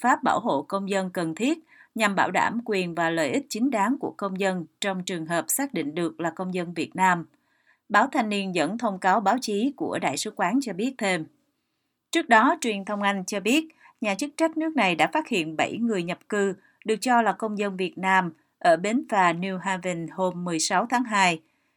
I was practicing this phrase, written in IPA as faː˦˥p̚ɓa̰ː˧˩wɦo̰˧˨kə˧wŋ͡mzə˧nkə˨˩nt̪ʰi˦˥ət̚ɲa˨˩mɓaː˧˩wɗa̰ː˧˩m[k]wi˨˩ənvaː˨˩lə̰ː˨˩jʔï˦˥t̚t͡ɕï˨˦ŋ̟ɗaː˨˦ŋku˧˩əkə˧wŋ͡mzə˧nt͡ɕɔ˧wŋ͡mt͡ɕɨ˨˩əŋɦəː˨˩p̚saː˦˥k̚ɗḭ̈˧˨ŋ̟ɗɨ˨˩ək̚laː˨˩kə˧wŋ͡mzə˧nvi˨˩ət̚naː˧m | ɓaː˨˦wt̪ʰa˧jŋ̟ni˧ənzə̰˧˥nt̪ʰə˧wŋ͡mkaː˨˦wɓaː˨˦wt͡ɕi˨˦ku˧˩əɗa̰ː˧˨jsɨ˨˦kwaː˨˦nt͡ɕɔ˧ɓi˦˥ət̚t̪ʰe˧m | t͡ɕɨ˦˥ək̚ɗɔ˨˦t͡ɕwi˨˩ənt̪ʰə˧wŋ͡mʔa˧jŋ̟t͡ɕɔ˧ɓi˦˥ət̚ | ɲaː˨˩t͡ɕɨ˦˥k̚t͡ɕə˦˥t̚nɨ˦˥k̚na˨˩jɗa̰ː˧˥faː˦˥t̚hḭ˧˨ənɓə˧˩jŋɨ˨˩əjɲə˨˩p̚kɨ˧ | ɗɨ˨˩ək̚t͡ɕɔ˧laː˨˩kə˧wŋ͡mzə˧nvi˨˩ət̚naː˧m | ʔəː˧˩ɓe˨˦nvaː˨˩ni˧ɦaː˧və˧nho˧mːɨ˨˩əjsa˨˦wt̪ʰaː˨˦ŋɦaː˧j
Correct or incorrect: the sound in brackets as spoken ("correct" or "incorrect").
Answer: correct